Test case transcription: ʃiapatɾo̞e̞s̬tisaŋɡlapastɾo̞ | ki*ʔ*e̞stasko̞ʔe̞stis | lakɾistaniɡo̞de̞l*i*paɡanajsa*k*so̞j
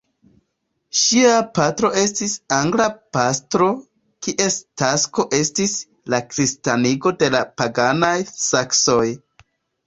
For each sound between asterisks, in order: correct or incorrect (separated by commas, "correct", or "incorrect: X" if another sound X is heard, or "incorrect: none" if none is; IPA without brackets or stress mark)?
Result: correct, incorrect: a, correct